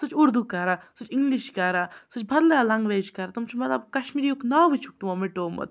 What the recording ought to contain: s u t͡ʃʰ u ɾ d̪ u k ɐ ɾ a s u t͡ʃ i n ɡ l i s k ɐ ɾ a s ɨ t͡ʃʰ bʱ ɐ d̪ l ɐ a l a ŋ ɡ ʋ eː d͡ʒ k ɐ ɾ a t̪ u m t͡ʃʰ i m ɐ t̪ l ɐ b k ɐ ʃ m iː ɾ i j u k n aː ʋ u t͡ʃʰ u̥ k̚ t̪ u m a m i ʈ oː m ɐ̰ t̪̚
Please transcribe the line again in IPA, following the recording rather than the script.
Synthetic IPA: s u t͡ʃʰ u ɾ d̪ u k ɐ ɾ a s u t͡ʃ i ŋ ɡ l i ʃ k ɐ ɾ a s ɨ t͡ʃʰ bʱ ɐ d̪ l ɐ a l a ŋ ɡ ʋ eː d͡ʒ k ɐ ɾ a t̪ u m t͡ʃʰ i m ɐ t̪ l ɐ b k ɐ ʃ m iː ɾ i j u k n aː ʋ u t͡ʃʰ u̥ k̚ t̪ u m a m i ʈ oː m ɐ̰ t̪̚